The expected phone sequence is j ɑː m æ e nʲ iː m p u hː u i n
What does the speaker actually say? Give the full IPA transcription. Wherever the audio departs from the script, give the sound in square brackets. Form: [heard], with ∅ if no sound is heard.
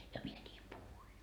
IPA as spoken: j [ɑ] m [i] e nʲ iː m p u [h] u i n